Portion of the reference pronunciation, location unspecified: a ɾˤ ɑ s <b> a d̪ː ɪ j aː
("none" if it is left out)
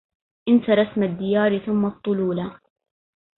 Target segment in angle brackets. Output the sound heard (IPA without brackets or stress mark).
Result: m